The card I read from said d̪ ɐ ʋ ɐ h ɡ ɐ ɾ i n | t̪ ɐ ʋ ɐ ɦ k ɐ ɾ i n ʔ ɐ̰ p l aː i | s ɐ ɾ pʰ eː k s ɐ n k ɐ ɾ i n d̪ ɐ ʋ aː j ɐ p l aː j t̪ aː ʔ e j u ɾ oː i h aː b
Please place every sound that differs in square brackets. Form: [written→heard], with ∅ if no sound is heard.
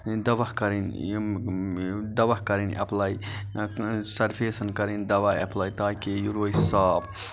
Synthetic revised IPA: d̪ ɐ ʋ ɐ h [ɡ→k] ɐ ɾ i n | [t̪→d̪] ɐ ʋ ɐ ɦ k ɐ ɾ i n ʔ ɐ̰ p l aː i | s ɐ ɾ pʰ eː [k→∅] s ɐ n k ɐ ɾ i n d̪ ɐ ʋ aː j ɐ p l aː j t̪ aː [ʔ→k] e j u ɾ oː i [h→s] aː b